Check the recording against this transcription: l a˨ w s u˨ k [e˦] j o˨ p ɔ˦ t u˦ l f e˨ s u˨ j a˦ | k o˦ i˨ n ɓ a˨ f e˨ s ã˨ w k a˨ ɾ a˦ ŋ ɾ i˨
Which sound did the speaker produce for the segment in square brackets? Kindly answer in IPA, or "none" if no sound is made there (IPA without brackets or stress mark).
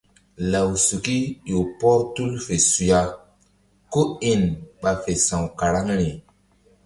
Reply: i˦